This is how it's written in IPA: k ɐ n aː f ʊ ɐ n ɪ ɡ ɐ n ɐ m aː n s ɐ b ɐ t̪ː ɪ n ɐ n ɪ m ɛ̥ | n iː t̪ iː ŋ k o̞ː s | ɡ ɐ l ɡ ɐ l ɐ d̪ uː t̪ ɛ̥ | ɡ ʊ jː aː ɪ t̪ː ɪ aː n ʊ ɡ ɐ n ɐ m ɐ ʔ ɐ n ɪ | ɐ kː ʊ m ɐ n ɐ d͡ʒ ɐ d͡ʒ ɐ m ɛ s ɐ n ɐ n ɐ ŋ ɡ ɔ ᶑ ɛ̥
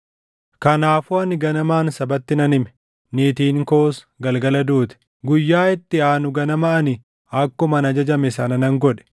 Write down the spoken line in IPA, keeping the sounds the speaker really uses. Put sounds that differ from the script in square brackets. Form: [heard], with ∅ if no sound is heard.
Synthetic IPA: k ɐ n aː f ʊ ɐ n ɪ ɡ ɐ n ɐ m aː n s ɐ b ɐ t̪ː ɪ n ɐ n ɪ m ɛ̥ | n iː t̪ iː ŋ k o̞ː s | ɡ ɐ l ɡ ɐ l ɐ d̪ uː t̪ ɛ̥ | ɡ ʊ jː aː ɪ t̪ː ɪ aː n ʊ ɡ ɐ n ɐ m ɐ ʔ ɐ n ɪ | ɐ kː ʊ m ɐ n ɐ d͡ʒ ɐ d͡ʒ ɐ m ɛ s ɐ n ɐ n ɐ ŋ ɡ ɔ ᶑ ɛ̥

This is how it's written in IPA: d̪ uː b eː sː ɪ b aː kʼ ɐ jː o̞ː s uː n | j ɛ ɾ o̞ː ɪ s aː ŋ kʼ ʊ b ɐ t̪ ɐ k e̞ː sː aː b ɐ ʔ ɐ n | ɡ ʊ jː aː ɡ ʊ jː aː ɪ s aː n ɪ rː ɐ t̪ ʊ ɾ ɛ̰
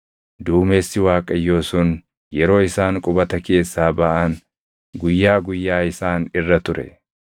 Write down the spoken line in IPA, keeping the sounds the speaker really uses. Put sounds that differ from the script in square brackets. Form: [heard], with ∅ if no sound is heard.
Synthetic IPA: d̪ uː [m] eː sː ɪ [w] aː kʼ ɐ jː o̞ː s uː n | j ɛ ɾ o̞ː ɪ s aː ŋ kʼ ʊ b ɐ t̪ ɐ k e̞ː sː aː b ɐ ʔ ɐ n | ɡ ʊ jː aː ɡ ʊ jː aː ɪ s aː n ɪ rː ɐ t̪ ʊ ɾ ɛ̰

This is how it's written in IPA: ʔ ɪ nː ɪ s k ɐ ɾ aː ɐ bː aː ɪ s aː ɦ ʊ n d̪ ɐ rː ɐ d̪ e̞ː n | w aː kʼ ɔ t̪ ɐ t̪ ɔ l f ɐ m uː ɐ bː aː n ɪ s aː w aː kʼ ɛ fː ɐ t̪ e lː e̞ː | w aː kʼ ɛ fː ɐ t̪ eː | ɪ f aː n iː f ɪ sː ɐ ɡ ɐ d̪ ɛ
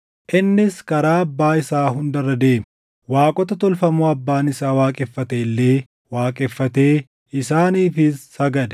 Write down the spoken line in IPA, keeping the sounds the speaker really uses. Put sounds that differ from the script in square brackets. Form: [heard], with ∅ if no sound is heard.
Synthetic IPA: ʔ ɪ nː ɪ s k ɐ ɾ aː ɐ bː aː ɪ s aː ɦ ʊ n d̪ ɐ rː ɐ d̪ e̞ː [m] | w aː kʼ ɔ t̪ ɐ t̪ ɔ l f ɐ m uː ɐ bː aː n ɪ s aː w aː kʼ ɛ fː ɐ t̪ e lː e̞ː | w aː kʼ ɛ fː ɐ t̪ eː | ɪ [s] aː n iː f ɪ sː ɐ ɡ ɐ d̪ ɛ

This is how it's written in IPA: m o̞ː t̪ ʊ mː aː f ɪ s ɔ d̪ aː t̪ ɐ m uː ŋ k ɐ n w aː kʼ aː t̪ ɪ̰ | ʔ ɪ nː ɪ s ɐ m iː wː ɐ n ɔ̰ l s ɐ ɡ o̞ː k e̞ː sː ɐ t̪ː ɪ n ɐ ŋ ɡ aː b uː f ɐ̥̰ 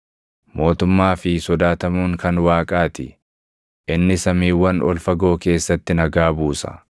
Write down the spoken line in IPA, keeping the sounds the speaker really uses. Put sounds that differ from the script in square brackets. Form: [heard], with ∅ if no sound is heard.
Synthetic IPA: m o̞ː t̪ ʊ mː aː f ɪ s ɔ d̪ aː t̪ ɐ m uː ŋ k ɐ n w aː kʼ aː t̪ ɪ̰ | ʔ ɪ nː ɪ s ɐ m iː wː ɐ n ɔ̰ l [f] ɐ ɡ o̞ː k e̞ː sː ɐ t̪ː ɪ n ɐ [∅] ɡ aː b uː [s] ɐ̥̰

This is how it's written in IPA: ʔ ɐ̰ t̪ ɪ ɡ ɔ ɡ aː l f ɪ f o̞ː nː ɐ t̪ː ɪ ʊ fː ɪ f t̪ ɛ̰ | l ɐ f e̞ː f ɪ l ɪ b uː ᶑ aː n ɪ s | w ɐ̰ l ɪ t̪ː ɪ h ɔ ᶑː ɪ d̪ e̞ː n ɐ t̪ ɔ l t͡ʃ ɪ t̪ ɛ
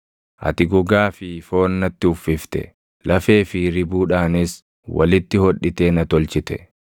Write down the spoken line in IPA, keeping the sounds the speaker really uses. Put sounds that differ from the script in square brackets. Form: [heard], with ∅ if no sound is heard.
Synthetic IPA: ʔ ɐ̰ t̪ ɪ ɡ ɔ ɡ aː [∅] f ɪ f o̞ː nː ɐ t̪ː ɪ ʊ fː ɪ f t̪ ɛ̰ | l ɐ f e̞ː f ɪ [ɾ] ɪ b uː ᶑ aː n ɪ s | w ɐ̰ l ɪ t̪ː ɪ h ɔ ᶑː ɪ [t̪] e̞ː n ɐ t̪ ɔ l t͡ʃ ɪ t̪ ɛ

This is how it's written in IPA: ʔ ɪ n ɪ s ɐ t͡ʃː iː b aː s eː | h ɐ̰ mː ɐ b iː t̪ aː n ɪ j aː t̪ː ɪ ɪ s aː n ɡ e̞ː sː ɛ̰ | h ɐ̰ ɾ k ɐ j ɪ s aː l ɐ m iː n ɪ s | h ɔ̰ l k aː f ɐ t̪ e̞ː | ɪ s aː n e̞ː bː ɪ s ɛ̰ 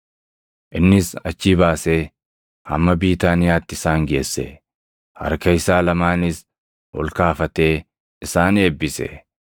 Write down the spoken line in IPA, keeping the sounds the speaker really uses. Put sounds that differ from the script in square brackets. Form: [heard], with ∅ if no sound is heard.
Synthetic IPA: ʔ ɪ [nː] ɪ s ɐ t͡ʃː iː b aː s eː | h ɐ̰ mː ɐ b iː t̪ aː n ɪ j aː t̪ː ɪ ɪ s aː [ŋ] ɡ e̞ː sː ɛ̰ | h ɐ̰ ɾ k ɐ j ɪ s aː l ɐ m [aː] n ɪ s | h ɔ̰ l k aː f ɐ t̪ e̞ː | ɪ s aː n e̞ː bː ɪ s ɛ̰

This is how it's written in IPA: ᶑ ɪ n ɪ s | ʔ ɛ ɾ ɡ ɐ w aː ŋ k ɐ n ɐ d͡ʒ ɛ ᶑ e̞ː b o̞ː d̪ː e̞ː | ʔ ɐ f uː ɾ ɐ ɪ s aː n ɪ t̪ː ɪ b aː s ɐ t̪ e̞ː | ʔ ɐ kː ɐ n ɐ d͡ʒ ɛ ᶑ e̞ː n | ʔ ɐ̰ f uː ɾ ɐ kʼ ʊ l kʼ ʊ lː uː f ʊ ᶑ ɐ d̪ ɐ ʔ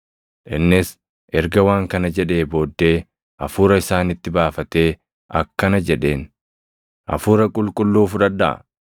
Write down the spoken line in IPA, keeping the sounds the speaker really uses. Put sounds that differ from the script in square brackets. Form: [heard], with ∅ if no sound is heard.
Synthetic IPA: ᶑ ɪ [nː] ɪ s | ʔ ɛ ɾ ɡ ɐ w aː ŋ k ɐ n ɐ d͡ʒ ɛ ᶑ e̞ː b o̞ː d̪ː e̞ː | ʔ ɐ f uː ɾ ɐ ɪ s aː n ɪ t̪ː ɪ b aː [f] ɐ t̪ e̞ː | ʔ ɐ kː ɐ n ɐ d͡ʒ ɛ ᶑ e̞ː n | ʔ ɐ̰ f uː ɾ ɐ kʼ ʊ l kʼ ʊ lː uː f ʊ ᶑ ɐ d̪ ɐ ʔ

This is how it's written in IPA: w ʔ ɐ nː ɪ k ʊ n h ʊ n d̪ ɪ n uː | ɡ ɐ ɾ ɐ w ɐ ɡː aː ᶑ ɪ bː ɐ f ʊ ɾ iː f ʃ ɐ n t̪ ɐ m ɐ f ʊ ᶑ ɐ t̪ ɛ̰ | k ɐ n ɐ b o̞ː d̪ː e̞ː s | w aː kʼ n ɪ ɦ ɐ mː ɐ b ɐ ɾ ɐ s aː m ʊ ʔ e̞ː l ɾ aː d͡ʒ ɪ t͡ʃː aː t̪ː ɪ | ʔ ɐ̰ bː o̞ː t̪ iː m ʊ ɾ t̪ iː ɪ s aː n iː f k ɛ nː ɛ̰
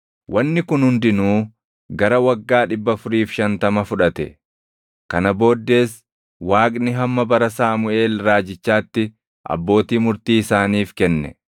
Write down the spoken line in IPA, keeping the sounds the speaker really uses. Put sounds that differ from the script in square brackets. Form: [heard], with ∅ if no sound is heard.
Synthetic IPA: w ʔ ɐ nː ɪ k ʊ n h ʊ n d̪ ɪ n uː | ɡ ɐ ɾ ɐ w ɐ ɡː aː ᶑ ɪ bː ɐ f ʊ ɾ iː f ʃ ɐ n t̪ ɐ m ɐ f ʊ ᶑ ɐ t̪ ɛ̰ | k ɐ n ɐ b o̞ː d̪ː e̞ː s | w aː kʼ n ɪ ɦ ɐ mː ɐ b ɐ ɾ ɐ s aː m ʊ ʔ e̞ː l ɾ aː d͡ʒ ɪ t͡ʃː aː t̪ː ɪ | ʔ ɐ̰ bː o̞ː t̪ iː m ʊ ɾ t̪ iː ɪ s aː n iː f k ɛ nː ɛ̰

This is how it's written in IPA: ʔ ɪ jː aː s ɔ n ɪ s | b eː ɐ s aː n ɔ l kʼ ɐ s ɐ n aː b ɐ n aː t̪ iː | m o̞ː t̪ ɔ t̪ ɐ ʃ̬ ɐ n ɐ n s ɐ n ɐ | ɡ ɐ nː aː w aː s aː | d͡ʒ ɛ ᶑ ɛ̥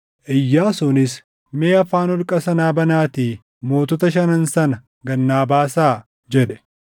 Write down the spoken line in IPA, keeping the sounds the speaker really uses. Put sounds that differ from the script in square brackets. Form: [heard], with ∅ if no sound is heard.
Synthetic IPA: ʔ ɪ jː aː s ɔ n ɪ s | [m] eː ɐ [f] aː n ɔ l kʼ ɐ s ɐ n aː b ɐ n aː t̪ iː | m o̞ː t̪ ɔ t̪ ɐ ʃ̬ ɐ n ɐ n s ɐ n ɐ | ɡ ɐ nː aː [b] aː s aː | d͡ʒ ɛ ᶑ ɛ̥

